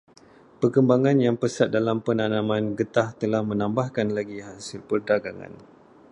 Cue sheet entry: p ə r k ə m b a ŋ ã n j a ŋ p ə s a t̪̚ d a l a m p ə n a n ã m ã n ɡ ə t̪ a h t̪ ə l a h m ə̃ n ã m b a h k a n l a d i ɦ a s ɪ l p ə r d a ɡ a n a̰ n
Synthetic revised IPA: p ə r k ə m b a ŋ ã n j a ŋ p ə s a t̪̚ d a l a m p ə n a n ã m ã n ɡ ə t̪ a h t̪ ə l a h m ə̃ n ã m b a h k a n l a ɡ i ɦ a s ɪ l p ə r d a ɡ a ŋ a̰ n

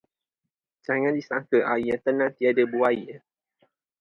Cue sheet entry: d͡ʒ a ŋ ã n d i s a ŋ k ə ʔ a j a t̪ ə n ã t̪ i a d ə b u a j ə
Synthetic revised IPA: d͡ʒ a ŋ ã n d i s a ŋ k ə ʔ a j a t̪ ə n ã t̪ i a d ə b u a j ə

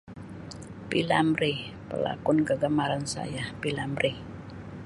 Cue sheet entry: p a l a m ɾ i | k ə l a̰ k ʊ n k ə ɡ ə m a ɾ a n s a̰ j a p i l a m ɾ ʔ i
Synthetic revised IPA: p i l a m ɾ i | p ə l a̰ k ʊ n k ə ɡ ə m a ɾ a n s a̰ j a p i l a m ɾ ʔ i

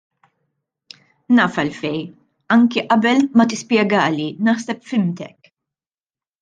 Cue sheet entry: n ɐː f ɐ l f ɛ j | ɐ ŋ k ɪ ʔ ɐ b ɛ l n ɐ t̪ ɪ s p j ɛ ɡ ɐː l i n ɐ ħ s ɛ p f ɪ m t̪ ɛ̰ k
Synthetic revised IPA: n ɐː f ɐ l f ɛ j | ɐ ŋ k i ʔ ɐ b ɛ l m ɐ t̪ ɪ s p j ɛ ɡ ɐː l i n ɐ ħ s ɛ p f ɪ m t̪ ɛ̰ k

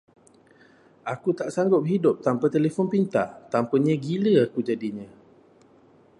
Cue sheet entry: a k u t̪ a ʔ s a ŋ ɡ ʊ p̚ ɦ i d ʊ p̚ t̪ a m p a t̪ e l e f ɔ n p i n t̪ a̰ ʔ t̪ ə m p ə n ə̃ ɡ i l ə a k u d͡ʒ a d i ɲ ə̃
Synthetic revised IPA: a k u t̪ a ʔ s a ŋ ɡ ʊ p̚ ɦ i d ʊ p̚ t̪ a m p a t̪ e l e f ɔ n p i n t̪ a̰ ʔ t̪ a m p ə ɲ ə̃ ɡ i l ə a k u d͡ʒ a d i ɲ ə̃

